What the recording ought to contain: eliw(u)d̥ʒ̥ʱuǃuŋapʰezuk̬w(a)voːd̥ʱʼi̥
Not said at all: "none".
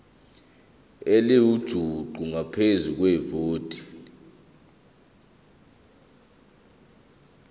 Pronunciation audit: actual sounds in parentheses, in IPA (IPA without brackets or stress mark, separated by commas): u, ɛ